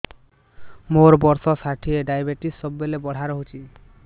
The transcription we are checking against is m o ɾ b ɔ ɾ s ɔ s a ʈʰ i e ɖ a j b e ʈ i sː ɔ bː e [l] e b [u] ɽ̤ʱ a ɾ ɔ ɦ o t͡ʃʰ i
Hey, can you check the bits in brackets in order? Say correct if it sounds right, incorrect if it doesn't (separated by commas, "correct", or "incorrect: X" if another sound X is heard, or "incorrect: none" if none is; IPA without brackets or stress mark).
correct, incorrect: ɔ